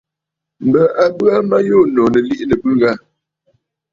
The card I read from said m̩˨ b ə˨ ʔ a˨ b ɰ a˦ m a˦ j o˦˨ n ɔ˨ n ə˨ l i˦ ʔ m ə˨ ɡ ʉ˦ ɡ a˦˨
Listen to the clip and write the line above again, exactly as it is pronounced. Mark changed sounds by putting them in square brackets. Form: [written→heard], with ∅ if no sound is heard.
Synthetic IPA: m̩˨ b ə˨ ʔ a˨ b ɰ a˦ m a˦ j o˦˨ n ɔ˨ n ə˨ l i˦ ʔ [m→n] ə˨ [ɡ→b] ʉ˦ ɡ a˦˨

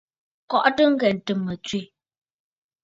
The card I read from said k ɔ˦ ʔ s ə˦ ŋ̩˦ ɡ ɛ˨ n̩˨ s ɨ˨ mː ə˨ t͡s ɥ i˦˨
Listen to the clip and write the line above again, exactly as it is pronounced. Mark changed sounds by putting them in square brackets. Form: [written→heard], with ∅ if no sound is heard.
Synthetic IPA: k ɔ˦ ʔ [s→t] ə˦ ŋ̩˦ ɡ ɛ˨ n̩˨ [s→t] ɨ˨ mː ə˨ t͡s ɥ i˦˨

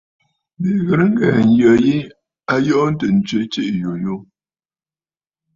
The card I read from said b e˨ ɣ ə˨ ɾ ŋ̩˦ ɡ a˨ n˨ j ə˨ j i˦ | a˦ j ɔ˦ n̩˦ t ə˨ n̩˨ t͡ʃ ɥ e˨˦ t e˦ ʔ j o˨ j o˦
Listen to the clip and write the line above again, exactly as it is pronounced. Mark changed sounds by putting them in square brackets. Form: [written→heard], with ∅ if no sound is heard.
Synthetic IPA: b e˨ ɣ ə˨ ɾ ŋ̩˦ ɡ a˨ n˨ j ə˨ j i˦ | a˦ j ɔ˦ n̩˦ t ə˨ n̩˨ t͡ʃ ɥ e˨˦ [t→t͡ʃ] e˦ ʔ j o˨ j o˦

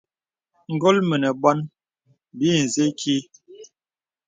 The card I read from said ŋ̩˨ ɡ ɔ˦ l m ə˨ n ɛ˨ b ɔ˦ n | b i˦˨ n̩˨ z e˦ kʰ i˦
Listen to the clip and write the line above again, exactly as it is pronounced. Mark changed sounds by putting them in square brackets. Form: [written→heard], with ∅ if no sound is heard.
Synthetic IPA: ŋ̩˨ ɡ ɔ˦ l m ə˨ n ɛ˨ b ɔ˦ n | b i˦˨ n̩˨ z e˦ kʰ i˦

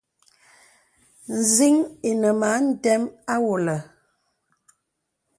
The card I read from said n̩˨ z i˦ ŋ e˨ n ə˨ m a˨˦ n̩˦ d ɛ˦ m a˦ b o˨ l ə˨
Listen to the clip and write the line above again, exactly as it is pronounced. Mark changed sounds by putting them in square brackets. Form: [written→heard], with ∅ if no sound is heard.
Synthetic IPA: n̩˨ z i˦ ŋ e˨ n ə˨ m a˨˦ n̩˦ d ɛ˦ m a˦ [b→w] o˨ l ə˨

